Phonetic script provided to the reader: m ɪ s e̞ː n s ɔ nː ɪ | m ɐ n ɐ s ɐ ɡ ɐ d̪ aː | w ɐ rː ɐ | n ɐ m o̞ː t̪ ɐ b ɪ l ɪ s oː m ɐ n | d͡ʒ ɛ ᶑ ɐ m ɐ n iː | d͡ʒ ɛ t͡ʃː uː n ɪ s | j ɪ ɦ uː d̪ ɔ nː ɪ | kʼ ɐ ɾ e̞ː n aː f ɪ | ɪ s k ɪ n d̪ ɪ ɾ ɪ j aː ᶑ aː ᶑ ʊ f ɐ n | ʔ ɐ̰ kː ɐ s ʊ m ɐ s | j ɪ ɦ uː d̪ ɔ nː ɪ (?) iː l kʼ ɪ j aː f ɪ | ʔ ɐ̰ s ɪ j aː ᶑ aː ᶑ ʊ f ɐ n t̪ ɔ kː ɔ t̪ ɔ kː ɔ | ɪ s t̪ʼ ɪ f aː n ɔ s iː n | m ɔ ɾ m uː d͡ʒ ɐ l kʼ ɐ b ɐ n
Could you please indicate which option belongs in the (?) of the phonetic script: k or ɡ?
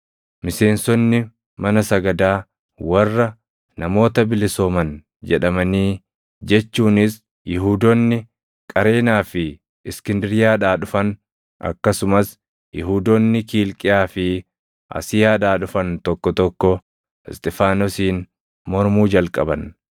k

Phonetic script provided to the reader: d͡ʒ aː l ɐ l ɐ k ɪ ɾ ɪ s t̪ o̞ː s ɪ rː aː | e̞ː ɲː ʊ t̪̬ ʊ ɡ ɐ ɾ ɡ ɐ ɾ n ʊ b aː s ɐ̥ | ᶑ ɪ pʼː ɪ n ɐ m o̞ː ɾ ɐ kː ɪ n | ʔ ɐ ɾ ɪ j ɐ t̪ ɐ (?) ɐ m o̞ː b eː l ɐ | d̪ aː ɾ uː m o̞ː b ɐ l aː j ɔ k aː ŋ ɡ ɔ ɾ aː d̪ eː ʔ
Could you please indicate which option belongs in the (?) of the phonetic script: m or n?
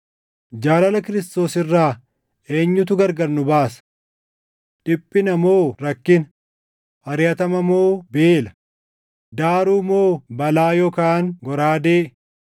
m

